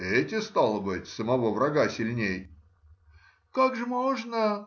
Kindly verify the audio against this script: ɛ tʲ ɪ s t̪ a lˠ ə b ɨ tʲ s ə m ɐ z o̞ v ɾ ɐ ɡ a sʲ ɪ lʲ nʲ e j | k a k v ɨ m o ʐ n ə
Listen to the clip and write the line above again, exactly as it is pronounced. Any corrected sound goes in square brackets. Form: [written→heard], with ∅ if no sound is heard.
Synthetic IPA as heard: ɛ tʲ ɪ s t̪ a lˠ ə b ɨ tʲ s ə m ɐ [z→v] o̞ v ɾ ɐ ɡ a sʲ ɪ lʲ nʲ e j | k a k [v→ʐ] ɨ m o ʐ n ə